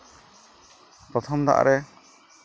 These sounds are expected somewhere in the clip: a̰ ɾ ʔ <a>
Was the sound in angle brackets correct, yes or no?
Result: no